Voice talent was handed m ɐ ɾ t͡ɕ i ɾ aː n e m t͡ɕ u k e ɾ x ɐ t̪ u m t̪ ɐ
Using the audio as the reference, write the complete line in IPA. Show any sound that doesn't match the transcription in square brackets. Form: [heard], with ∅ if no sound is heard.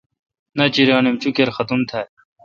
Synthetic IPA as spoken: [n] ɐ [∅] t͡ɕ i ɾ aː n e m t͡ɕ u k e ɾ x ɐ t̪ u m [t̪ʰ] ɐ